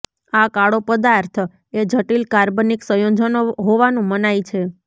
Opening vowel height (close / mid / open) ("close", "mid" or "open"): open